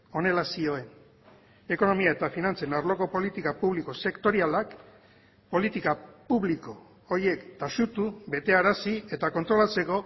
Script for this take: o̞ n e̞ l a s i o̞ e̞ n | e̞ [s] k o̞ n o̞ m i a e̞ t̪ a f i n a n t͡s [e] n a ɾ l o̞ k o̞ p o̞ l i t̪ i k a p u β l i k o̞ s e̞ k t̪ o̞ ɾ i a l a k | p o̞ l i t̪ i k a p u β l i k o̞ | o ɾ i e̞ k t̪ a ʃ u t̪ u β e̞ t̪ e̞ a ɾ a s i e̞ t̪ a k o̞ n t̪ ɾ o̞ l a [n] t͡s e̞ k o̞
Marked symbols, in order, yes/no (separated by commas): no, yes, no